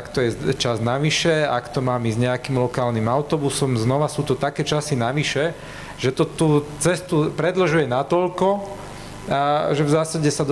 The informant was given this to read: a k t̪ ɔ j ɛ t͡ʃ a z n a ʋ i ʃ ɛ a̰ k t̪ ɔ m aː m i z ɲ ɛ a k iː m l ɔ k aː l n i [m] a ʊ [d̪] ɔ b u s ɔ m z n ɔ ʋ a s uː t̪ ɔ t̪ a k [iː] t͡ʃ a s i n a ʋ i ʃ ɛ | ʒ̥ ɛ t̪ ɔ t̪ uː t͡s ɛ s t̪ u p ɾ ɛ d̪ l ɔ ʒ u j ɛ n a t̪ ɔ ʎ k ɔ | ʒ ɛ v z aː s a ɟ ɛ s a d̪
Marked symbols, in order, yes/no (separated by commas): yes, no, no